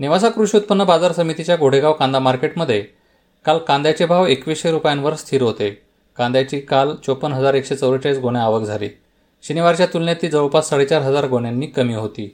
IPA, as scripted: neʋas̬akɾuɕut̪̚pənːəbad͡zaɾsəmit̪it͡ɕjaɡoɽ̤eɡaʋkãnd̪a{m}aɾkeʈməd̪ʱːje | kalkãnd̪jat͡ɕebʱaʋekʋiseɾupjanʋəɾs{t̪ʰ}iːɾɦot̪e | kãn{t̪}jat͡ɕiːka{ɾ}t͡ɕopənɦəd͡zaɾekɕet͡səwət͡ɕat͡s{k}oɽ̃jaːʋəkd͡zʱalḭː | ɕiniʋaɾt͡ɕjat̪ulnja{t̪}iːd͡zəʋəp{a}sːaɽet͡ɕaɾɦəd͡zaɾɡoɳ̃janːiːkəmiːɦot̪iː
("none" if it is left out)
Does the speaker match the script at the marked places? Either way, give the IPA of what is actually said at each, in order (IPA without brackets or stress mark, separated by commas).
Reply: m, t̪ʰ, d̪, l, ɡ, t̪, a